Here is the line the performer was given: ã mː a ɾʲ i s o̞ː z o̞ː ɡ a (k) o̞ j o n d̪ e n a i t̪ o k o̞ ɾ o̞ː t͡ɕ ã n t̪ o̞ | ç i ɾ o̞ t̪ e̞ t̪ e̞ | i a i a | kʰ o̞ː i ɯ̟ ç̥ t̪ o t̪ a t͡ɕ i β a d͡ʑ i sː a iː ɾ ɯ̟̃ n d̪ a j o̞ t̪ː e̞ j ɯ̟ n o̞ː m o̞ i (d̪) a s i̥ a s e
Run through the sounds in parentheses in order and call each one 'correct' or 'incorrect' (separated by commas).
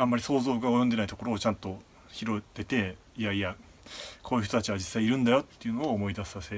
incorrect, correct